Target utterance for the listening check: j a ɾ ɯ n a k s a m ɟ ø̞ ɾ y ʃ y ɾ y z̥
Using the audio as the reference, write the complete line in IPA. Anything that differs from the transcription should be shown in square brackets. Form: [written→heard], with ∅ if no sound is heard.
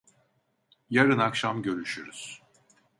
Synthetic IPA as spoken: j a ɾ ɯ n a k [s→ʃ] a m ɟ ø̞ ɾ y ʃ y ɾ y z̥